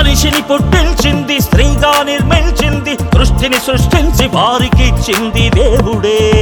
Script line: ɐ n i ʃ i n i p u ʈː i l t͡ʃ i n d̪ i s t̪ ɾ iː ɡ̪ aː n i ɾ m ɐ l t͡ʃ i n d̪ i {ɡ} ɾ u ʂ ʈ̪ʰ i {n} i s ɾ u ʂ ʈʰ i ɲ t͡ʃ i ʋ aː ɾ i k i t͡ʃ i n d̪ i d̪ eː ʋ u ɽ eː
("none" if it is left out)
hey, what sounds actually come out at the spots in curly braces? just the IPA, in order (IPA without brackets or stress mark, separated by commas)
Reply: k, n